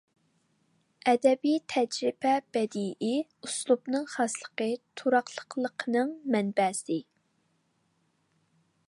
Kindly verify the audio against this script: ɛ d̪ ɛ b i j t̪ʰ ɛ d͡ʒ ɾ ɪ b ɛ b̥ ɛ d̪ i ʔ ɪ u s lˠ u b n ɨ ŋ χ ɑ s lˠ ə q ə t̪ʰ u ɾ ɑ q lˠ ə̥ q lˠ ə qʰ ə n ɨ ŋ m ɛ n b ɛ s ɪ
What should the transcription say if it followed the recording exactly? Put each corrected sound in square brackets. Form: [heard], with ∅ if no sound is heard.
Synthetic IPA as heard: ɛ d̪ ɛ b i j t̪ʰ ɛ d͡ʒ ɾ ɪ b ɛ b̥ ɛ d̪ i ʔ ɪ u s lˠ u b n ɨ ŋ χ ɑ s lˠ ə q ə t̪ʰ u ɾ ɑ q lˠ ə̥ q lˠ ə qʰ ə n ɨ ŋ m ɛ n b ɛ s ɪ